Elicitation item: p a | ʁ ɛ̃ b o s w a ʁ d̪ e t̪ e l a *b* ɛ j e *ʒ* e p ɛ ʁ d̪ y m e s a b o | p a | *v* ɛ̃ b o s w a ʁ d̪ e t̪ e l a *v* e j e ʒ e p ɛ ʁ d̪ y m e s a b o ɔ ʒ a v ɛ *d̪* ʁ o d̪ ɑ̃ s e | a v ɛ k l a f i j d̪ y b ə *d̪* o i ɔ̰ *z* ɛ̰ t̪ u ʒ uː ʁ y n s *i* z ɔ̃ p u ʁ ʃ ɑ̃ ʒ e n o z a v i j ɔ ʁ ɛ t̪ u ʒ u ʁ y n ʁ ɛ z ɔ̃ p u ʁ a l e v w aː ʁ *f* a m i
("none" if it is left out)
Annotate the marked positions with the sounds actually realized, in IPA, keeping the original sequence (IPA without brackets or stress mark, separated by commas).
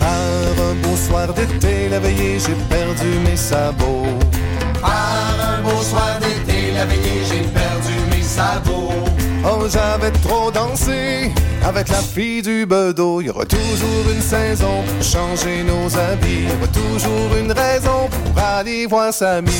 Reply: v, ʒ, ʁ, v, t̪, d̪, ʁ, ɛ, s